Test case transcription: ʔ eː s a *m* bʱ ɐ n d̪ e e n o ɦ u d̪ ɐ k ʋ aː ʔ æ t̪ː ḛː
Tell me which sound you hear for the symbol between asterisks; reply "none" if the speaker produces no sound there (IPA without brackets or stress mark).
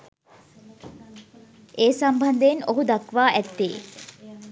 m